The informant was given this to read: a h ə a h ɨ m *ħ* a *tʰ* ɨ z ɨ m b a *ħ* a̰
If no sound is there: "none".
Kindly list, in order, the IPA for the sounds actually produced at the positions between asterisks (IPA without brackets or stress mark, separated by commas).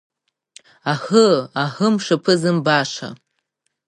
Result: ʂ, pʰ, ʂ